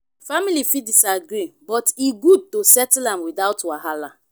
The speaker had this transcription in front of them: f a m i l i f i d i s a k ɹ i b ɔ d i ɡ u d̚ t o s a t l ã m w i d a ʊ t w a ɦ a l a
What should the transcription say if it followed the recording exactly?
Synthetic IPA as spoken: f a m i l i f i d i s a ɡ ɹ i b ɔ t i ɡ u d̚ t o s ɛ t l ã m w i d a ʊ t w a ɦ a l a